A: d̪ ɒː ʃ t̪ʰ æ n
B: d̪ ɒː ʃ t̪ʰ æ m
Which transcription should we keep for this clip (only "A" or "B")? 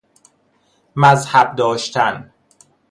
A